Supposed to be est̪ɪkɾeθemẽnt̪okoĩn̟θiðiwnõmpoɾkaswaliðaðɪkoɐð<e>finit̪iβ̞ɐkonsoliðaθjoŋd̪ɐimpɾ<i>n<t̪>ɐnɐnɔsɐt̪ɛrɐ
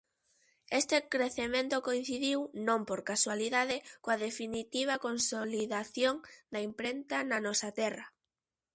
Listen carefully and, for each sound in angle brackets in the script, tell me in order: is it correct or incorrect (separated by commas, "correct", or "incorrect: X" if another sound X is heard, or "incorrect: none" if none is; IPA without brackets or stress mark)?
correct, incorrect: e, correct